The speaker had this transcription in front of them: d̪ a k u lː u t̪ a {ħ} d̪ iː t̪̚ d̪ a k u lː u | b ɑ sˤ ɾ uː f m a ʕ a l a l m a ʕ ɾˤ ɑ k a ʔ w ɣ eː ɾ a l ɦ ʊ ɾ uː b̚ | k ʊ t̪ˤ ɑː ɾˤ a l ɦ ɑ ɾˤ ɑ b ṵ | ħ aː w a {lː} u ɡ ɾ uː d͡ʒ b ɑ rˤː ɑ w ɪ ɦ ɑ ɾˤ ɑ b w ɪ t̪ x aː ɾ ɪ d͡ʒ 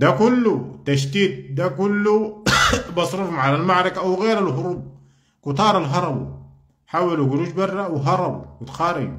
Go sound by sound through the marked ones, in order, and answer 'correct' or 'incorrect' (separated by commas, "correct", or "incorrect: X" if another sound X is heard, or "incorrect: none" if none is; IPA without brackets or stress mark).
incorrect: ʃ, incorrect: l